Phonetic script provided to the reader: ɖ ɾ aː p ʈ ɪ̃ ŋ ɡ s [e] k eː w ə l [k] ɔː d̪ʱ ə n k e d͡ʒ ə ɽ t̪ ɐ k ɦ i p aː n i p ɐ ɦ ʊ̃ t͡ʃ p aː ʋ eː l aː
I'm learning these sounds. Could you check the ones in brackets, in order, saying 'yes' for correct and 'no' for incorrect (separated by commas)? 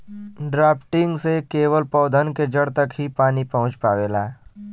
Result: yes, no